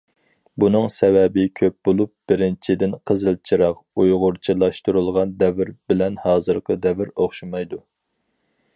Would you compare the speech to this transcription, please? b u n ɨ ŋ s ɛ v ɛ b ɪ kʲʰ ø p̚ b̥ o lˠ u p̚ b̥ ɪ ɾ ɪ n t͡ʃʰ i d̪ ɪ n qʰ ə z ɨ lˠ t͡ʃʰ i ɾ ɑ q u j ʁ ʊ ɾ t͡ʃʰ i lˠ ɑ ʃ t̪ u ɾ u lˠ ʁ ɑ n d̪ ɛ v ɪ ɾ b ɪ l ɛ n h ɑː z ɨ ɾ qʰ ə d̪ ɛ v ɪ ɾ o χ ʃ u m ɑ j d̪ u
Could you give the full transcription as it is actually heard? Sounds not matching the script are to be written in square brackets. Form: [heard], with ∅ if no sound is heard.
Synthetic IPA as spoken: b u n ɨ ŋ s ɛ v ɛ b ɪ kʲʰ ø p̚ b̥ o lˠ u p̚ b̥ ɪ ɾ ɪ n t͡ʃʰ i d̪ ɪ n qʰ ə z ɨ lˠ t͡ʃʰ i ɾ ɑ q u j ʁ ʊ ɾ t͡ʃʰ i lˠ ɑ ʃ t̪ u ɾ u lˠ ʁ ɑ n d̪ ɛ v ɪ ɾ b ɪ l ɛ n h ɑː z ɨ ɾ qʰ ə d̪ ɛ v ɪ ɾ o χ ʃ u m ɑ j d̪ u